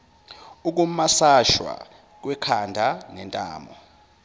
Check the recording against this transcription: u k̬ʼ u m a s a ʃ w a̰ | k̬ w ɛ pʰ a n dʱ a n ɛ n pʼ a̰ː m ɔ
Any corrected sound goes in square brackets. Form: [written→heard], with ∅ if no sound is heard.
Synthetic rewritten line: u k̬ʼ u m a s a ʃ w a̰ | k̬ w ɛ [pʰ→kʰ] a n dʱ a n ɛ n [pʼ→tʼ] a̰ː m ɔ